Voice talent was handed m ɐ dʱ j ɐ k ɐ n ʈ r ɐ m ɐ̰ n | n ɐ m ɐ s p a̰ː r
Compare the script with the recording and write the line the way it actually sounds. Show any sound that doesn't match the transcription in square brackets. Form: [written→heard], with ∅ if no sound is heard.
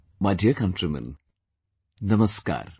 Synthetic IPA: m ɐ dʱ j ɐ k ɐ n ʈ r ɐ m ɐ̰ n | n ɐ m ɐ s [p→k] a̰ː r